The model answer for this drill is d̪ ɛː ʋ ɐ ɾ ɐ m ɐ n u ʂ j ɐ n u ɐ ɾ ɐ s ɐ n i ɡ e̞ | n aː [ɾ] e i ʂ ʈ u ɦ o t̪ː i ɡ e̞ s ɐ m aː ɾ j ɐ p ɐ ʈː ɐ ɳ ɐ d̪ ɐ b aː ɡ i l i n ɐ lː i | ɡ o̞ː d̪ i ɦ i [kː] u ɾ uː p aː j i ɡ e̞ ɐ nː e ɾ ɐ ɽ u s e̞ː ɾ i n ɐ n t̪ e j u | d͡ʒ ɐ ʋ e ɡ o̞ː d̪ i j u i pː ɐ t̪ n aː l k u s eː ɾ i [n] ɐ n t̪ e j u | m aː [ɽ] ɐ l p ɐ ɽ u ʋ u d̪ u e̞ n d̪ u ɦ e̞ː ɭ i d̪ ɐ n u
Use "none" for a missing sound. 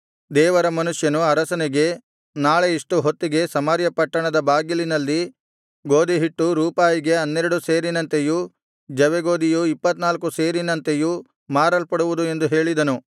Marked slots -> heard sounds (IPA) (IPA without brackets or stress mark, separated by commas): ɭ, ʈː, n, ɾ